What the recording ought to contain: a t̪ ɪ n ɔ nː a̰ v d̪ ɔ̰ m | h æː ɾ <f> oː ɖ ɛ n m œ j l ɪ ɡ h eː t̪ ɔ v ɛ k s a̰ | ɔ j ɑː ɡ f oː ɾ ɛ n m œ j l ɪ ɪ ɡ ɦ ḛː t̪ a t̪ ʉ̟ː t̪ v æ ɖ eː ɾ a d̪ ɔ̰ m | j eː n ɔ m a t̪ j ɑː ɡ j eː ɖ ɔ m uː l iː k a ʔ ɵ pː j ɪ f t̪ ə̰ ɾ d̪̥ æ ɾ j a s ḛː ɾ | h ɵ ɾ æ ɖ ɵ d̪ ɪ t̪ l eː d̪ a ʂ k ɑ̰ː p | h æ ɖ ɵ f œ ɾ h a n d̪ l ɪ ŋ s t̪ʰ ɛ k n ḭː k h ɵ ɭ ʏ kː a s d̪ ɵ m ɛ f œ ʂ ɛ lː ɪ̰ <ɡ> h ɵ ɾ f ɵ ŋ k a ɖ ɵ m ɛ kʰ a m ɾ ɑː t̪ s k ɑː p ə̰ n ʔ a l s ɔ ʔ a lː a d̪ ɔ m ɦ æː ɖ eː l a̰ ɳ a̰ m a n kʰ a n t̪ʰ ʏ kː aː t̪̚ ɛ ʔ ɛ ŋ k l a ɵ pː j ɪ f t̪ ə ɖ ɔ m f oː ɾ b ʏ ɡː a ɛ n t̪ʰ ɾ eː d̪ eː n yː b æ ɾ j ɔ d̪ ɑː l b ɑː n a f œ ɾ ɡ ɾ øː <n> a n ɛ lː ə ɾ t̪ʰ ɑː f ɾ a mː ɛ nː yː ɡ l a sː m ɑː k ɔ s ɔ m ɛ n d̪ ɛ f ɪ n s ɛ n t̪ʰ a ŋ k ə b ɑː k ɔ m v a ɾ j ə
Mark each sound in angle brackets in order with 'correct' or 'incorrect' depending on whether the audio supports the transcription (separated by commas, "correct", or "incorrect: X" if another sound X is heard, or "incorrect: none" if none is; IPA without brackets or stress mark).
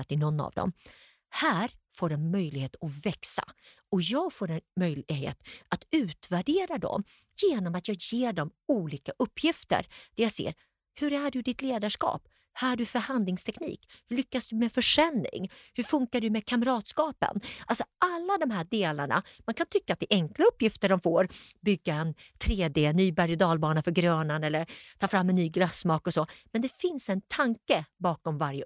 correct, incorrect: ŋ, correct